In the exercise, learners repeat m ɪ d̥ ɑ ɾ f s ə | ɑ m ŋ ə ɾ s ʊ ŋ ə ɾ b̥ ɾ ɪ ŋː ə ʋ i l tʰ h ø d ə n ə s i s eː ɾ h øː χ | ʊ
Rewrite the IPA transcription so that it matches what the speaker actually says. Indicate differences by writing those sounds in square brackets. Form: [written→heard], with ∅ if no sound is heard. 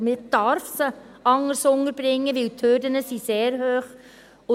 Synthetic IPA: m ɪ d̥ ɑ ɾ f s ə | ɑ [m→∅] ŋ ə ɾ s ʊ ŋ ə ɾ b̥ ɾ ɪ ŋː ə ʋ [i→ɪ] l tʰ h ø d ə n ə s i s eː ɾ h øː χ | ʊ